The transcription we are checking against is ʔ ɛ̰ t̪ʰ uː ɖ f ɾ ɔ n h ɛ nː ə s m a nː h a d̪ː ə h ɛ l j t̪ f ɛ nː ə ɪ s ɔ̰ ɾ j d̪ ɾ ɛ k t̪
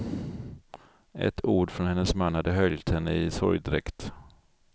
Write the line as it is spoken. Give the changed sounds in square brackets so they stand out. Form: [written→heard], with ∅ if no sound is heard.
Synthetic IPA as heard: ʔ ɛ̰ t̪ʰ uː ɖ f ɾ ɔ n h ɛ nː ə s m a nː h a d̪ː ə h [ɛ→œ] l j t̪ [f→h] ɛ nː ə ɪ s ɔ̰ ɾ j d̪ ɾ ɛ k t̪